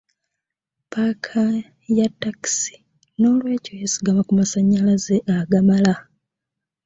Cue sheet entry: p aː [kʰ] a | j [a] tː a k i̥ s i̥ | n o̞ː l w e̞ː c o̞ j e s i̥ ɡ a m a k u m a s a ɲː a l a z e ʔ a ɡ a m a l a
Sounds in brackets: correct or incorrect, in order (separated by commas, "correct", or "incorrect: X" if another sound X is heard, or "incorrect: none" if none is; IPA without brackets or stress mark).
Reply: correct, correct